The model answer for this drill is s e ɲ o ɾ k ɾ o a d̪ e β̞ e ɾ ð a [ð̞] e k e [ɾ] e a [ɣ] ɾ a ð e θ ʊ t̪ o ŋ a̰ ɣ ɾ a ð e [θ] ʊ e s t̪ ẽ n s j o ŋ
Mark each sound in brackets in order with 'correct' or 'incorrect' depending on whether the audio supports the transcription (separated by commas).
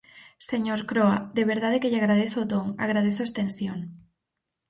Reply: correct, incorrect, correct, correct